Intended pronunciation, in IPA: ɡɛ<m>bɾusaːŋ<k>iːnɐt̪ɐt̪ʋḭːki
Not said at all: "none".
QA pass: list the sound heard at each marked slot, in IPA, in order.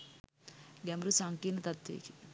m, k

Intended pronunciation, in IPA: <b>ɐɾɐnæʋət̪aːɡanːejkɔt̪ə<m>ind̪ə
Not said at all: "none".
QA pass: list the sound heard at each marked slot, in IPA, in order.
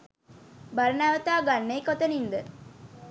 b, n

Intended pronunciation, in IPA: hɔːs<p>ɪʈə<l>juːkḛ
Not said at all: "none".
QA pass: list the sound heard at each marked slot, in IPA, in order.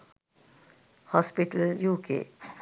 p, l

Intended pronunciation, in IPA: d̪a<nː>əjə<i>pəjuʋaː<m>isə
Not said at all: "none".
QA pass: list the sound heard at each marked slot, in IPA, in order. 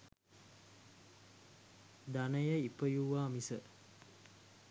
n, i, m

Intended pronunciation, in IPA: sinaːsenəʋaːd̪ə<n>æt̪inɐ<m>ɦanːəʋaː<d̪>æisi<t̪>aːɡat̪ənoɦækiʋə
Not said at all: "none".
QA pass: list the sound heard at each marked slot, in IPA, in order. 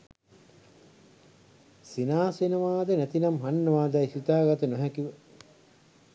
n, m, d̪, t̪

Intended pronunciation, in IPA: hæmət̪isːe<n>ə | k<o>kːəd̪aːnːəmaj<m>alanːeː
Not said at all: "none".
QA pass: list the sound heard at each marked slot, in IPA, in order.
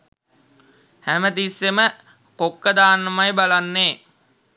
m, o, b

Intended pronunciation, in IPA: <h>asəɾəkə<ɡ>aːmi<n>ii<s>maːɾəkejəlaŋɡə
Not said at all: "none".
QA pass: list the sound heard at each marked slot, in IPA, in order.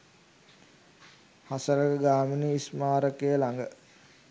h, ɡ, n, s

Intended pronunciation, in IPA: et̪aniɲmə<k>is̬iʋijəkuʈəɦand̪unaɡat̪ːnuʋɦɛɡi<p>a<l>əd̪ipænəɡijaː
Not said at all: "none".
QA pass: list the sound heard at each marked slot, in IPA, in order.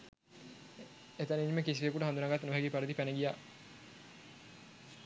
k, p, ɾ

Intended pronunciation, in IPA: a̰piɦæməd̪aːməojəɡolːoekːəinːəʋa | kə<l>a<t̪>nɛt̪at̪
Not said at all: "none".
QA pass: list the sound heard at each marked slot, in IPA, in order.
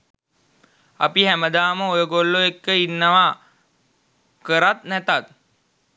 ɾ, t̪

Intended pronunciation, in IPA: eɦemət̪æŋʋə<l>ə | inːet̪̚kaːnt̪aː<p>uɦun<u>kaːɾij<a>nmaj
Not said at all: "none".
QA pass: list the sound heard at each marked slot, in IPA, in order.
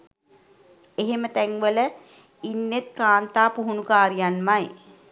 l, p, u, a

